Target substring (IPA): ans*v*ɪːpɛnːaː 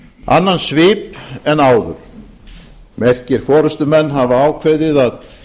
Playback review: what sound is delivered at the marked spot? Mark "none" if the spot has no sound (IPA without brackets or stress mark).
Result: v